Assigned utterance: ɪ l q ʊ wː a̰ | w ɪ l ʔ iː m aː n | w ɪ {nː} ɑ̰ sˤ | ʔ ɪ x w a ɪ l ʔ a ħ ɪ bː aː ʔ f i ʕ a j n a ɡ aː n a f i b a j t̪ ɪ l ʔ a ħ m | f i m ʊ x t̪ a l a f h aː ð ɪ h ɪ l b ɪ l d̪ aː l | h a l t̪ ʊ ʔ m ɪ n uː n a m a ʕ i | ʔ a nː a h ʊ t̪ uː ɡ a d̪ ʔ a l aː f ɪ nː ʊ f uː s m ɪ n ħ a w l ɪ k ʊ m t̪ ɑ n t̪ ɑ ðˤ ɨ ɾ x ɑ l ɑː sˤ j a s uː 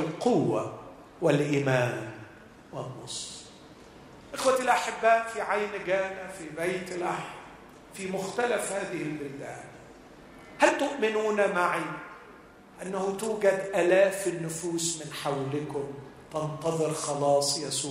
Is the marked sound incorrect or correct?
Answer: correct